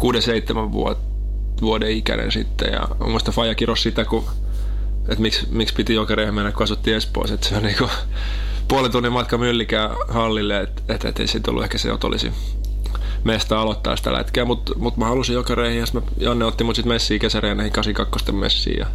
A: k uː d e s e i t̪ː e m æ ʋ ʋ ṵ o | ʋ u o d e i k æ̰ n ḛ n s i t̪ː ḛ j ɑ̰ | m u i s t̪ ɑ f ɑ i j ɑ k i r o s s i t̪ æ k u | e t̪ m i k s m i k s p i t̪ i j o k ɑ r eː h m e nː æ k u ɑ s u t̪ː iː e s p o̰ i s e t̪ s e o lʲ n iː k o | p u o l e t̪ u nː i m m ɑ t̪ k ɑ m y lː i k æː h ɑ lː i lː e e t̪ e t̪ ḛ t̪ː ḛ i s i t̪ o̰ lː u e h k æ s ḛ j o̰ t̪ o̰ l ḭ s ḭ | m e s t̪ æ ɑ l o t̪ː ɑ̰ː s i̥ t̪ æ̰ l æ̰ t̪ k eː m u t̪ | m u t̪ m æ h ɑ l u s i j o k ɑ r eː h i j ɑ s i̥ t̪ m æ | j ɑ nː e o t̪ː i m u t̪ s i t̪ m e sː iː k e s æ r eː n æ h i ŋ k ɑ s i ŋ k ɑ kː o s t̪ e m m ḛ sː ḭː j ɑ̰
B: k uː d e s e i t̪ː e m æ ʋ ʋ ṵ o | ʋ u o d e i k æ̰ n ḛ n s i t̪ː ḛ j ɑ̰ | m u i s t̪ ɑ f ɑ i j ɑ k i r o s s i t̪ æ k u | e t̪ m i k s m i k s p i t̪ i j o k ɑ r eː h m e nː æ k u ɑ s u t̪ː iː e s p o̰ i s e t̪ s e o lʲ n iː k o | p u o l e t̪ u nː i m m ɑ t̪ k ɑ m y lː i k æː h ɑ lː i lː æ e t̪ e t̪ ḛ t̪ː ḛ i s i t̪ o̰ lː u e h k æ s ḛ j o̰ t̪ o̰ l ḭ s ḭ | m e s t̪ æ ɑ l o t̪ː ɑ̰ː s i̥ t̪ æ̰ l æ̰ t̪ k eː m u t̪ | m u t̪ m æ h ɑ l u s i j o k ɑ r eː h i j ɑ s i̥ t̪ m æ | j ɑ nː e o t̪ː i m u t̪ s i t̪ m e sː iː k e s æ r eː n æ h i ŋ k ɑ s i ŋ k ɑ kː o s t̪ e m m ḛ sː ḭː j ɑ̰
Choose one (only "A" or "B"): A